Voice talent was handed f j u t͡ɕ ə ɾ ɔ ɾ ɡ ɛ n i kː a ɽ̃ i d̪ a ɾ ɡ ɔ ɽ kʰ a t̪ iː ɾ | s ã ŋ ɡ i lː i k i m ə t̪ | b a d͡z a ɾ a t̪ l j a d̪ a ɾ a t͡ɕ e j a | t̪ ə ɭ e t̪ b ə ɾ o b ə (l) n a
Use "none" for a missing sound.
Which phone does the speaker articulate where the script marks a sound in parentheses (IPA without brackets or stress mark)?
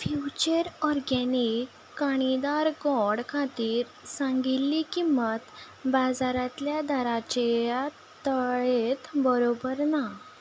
ɾ